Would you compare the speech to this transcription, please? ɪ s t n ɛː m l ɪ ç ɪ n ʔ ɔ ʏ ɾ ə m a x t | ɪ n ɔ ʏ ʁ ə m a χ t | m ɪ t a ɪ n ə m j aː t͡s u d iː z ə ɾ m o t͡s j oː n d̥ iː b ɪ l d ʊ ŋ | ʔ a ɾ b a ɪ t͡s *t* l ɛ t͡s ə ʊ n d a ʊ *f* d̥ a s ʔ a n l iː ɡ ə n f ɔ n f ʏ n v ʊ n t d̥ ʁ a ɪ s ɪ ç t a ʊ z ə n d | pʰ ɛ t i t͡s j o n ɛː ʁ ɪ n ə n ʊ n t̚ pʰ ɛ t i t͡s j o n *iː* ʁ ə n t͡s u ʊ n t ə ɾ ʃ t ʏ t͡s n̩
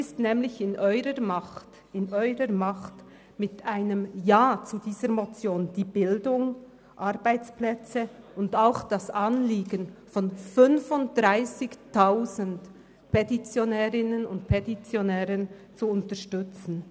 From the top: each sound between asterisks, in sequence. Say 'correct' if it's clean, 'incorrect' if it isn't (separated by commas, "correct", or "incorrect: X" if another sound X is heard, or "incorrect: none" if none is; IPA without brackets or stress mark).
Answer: incorrect: p, incorrect: x, incorrect: ɛː